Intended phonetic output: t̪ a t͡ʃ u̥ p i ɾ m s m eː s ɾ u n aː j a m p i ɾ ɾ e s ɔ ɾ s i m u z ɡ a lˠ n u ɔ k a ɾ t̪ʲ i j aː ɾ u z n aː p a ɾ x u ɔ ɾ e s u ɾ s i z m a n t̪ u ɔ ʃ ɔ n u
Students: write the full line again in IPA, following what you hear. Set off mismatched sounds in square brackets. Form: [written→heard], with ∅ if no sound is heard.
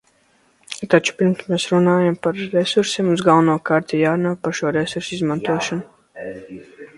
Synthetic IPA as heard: t̪ a t͡ʃ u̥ p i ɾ m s m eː s ɾ u n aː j a m p [i→a] ɾ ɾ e s [ɔ→u] ɾ s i m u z ɡ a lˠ n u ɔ k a ɾ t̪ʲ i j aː ɾ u [z→∅] n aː p a ɾ [x→ʃ] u ɔ ɾ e s u ɾ s i z m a n t̪ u ɔ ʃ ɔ n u